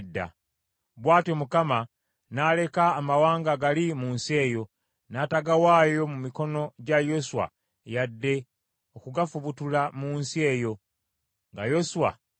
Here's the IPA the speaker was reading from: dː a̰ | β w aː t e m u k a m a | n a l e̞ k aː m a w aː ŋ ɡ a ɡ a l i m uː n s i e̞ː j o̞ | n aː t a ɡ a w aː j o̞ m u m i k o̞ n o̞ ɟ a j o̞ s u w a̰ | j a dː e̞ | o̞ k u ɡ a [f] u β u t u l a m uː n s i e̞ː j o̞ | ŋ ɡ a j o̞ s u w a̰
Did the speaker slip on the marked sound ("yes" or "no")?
no